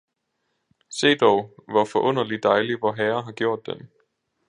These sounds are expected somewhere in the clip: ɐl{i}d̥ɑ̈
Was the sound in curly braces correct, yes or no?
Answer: yes